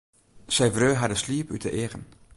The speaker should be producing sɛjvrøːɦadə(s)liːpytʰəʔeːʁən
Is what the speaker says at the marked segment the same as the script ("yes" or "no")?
yes